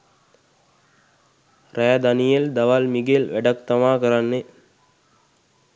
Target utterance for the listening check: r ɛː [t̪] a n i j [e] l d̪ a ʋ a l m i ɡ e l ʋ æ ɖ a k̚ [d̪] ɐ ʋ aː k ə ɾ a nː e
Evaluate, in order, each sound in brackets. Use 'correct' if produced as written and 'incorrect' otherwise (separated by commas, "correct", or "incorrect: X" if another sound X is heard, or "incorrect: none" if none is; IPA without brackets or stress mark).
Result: incorrect: d̪, correct, incorrect: t̪